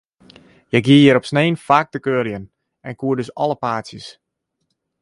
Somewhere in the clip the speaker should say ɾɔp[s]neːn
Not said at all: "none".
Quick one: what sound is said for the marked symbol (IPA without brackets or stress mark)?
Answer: s